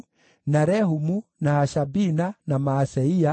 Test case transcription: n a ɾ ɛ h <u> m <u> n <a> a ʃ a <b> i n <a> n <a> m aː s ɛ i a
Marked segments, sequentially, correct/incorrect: correct, correct, correct, correct, correct, correct

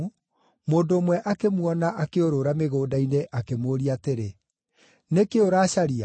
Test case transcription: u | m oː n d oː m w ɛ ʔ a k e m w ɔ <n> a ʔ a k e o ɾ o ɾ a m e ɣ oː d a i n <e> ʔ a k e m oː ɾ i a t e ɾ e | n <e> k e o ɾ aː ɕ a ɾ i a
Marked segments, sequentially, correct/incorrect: correct, correct, correct

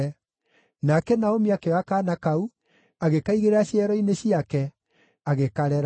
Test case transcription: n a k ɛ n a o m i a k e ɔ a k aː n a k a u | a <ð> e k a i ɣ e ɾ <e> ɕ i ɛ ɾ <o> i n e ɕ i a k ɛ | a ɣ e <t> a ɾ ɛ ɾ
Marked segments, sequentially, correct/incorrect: incorrect, incorrect, incorrect, incorrect

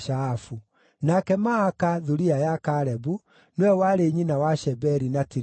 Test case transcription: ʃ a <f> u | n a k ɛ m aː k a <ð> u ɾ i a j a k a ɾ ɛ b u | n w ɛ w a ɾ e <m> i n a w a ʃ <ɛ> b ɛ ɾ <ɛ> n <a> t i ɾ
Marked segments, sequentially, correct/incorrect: correct, correct, incorrect, correct, incorrect, correct

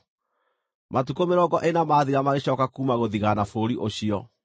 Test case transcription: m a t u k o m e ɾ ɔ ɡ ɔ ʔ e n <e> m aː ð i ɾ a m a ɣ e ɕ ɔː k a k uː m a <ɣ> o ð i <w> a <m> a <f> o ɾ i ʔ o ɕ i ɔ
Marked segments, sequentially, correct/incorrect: incorrect, correct, incorrect, incorrect, correct

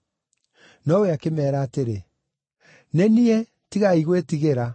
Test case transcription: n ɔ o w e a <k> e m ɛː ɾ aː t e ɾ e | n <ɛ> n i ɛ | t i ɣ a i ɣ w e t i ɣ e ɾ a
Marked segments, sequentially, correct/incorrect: correct, correct

